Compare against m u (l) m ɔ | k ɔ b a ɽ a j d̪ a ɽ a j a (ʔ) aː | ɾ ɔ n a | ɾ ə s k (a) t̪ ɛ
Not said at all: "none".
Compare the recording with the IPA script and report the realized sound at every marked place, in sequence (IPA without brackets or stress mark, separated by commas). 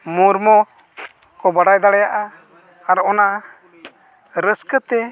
ɾ, ʔ, ə